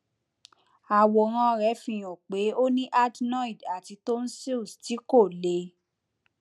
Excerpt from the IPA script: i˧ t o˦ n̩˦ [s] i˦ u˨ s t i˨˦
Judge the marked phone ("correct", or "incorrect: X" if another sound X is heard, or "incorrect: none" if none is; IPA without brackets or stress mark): correct